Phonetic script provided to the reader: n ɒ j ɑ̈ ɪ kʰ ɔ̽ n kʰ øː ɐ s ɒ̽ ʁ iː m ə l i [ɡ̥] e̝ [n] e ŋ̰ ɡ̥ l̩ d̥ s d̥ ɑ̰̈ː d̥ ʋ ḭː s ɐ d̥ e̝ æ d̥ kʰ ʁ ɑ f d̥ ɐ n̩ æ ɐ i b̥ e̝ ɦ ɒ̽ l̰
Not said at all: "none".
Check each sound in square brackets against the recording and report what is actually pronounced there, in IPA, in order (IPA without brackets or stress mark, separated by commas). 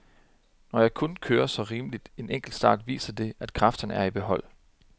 d̥, n